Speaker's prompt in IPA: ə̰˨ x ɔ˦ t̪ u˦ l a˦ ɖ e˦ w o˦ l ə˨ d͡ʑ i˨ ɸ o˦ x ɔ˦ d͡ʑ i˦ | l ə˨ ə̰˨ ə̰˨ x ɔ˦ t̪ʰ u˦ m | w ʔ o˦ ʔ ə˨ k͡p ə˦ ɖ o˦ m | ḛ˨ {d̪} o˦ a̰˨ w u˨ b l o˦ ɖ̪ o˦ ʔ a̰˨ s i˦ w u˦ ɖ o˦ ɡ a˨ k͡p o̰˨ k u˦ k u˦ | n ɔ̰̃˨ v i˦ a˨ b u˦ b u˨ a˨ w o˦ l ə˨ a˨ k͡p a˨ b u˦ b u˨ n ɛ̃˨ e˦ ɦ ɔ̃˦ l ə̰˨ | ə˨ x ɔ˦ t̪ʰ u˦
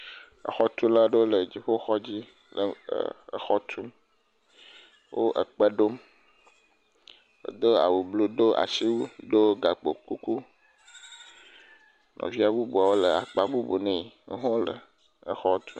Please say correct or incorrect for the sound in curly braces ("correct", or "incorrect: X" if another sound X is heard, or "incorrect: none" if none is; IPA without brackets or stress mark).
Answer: correct